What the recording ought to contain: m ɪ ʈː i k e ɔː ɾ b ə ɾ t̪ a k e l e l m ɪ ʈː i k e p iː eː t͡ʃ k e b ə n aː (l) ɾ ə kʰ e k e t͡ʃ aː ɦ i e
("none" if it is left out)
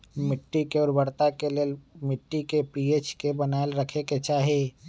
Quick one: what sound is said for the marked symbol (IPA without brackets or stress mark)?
l